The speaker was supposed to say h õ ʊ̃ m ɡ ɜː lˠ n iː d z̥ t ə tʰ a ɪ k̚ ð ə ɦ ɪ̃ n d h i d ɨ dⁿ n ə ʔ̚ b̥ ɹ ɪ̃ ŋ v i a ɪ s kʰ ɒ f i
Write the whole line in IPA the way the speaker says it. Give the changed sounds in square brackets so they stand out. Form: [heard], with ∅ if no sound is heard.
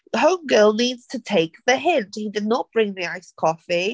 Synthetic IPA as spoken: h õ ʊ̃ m ɡ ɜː lˠ n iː d z̥ [tʰ] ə tʰ [e] ɪ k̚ ð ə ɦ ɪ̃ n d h i d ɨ dⁿ n ə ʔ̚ b̥ ɹ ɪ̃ ŋ [ð] i a ɪ s kʰ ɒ f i